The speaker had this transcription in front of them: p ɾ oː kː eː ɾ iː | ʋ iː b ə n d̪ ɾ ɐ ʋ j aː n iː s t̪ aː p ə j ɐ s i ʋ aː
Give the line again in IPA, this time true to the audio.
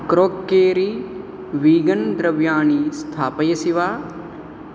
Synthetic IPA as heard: k ɾ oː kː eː ɾ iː | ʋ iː ɡ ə n d̪ ɾ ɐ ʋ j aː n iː s t̪ʰ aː p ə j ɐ s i ʋ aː